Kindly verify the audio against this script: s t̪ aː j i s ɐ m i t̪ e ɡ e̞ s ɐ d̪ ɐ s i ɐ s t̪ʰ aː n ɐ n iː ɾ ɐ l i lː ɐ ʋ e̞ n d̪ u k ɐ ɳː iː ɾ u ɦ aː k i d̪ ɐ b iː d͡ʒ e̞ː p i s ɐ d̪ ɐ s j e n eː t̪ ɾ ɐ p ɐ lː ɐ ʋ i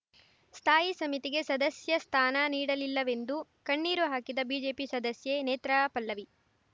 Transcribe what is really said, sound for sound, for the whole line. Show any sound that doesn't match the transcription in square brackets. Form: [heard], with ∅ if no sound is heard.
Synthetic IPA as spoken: s [t̪ʰ] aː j i s ɐ m i t̪ [i] ɡ e̞ s ɐ d̪ ɐ s [j] ɐ s t̪ʰ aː n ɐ n iː [ɽ] ɐ l i lː ɐ ʋ e̞ n d̪ u k ɐ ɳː iː ɾ u ɦ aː k i d̪ ɐ b iː d͡ʒ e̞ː p i s ɐ d̪ ɐ s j e n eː t̪ ɾ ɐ p ɐ lː ɐ ʋ i